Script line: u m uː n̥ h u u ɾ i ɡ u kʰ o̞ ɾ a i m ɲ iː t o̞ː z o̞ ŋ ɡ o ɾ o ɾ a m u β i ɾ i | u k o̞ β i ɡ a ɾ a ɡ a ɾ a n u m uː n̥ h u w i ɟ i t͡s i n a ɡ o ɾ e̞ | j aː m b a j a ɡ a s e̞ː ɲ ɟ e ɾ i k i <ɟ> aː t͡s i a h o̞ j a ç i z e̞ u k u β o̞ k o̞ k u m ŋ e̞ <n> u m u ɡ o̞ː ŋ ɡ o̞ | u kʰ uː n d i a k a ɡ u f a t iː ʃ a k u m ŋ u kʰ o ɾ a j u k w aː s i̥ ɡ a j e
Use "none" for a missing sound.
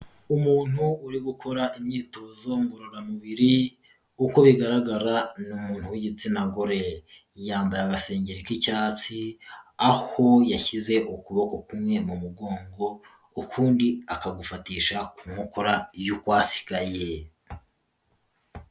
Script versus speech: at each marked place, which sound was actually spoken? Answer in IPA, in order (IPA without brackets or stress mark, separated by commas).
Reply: c, m